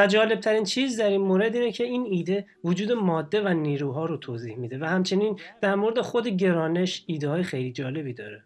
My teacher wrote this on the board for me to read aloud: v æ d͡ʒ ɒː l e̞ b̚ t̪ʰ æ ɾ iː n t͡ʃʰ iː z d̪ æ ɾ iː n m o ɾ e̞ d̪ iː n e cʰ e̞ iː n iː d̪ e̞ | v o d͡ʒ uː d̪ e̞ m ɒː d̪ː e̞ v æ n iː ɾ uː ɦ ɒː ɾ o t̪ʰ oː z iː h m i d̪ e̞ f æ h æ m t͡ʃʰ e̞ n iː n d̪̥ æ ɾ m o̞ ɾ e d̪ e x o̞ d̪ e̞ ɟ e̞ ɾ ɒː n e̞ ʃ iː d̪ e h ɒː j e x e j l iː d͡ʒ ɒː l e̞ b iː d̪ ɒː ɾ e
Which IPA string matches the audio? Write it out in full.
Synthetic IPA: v æ d͡ʒ ɒː l e̞ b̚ t̪ʰ æ ɾ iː n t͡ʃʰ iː z d̪ æ ɾ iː n m o ɾ e̞ d̪ iː n e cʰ e̞ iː n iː d̪ e̞ | v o d͡ʒ uː d̪ e̞ m ɒː d̪ː e̞ v æ n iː ɾ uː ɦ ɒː ɾ o t̪ʰ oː z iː h m i d̪ e̞ v æ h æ m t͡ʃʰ e̞ n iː n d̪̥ æ ɾ m o̞ ɾ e d̪ e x o̞ d̪ e̞ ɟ e̞ ɾ ɒː n e̞ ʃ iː d̪ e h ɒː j e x e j l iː d͡ʒ ɒː l e̞ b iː d̪ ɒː ɾ e